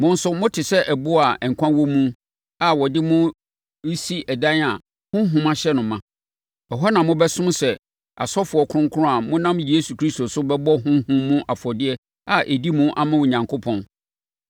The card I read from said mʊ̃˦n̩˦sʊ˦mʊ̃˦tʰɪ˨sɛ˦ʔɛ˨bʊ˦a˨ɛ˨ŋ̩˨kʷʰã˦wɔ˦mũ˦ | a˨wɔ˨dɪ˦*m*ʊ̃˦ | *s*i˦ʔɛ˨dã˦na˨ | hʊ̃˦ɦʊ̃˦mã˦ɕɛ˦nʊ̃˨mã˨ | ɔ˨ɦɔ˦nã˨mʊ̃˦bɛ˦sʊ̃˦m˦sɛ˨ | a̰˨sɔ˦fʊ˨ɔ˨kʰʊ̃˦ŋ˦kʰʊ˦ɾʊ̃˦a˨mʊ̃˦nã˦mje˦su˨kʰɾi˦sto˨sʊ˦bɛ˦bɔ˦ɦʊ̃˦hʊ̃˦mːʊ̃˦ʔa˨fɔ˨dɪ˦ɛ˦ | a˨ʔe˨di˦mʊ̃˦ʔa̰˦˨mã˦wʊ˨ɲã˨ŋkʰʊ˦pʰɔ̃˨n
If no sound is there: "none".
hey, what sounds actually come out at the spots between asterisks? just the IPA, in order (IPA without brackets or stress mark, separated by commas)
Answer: m, s